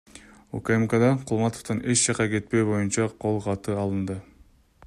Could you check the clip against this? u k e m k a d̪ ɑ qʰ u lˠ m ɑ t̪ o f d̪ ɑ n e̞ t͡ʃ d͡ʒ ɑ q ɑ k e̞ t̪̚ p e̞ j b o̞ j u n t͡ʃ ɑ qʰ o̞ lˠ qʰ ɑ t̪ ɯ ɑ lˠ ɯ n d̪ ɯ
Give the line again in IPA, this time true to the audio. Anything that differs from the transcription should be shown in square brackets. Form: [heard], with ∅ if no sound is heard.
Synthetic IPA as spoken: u k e m k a d̪ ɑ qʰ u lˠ m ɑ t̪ o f [t̪] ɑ n e̞ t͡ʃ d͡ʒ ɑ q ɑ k e̞ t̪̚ p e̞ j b o̞ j u n t͡ʃ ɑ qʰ o̞ lˠ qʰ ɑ t̪ ɯ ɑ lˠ ɯ n d̪ ɯ